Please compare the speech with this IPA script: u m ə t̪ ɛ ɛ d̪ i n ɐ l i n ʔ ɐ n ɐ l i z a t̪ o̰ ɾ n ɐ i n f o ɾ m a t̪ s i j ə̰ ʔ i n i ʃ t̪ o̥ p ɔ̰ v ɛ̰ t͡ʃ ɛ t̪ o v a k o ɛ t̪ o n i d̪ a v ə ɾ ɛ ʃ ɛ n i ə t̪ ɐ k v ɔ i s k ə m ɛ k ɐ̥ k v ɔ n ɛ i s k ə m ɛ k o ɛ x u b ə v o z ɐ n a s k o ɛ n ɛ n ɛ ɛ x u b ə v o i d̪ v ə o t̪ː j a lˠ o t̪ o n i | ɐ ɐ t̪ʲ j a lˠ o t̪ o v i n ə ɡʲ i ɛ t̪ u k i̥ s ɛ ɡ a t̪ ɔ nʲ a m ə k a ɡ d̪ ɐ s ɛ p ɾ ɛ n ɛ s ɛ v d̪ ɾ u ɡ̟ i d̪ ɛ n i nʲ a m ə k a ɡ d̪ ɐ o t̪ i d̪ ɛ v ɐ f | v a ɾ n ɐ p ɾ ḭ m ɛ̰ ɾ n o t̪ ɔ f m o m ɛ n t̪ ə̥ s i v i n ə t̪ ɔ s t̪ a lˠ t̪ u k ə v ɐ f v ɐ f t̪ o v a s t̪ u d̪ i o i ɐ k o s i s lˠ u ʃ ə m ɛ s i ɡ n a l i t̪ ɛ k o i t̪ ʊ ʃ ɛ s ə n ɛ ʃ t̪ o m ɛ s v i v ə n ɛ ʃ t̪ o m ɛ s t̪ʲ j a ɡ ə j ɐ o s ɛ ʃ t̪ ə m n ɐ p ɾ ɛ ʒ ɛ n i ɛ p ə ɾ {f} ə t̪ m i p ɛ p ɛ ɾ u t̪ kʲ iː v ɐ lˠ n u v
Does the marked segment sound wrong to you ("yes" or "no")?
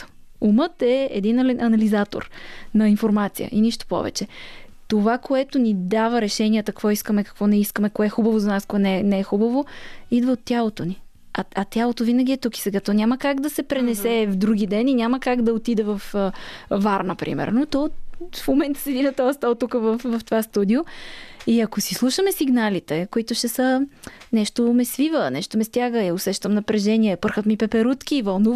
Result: yes